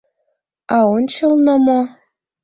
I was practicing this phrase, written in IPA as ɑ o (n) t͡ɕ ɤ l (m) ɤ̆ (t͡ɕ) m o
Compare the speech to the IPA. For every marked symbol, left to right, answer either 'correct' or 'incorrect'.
correct, incorrect, incorrect

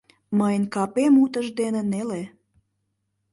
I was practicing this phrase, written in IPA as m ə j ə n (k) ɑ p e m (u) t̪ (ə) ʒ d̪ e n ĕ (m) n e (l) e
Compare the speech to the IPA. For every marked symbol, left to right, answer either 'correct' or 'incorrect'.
correct, correct, correct, incorrect, correct

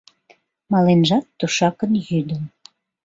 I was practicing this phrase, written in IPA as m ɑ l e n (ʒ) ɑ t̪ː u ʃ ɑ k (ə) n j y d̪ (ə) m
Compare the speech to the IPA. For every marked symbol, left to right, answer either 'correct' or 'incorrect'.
correct, correct, correct

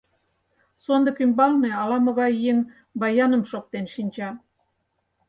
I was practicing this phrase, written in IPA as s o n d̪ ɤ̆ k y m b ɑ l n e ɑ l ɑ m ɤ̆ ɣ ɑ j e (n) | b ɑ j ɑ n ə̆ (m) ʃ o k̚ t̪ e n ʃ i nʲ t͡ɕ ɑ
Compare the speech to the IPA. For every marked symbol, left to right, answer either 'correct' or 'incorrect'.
incorrect, correct

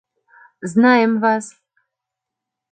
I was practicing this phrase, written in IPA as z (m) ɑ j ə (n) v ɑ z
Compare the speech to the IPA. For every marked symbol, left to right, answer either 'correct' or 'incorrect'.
incorrect, incorrect

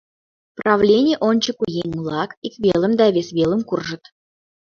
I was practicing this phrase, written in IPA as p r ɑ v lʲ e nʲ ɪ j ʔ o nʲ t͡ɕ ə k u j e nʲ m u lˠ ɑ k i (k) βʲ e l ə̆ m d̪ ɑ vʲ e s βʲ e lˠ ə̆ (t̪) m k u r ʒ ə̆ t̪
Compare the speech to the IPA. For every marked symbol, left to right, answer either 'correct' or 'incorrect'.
correct, incorrect

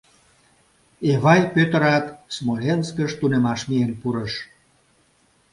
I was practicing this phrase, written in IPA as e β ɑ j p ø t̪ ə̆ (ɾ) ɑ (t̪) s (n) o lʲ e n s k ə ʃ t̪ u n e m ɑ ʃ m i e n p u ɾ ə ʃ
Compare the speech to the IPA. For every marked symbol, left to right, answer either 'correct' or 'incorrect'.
correct, correct, incorrect

